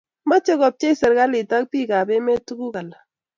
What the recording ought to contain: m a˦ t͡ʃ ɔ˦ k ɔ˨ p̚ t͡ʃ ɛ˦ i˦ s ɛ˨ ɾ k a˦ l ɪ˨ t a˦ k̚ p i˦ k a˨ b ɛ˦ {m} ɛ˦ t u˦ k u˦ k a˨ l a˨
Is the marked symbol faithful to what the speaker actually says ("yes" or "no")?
yes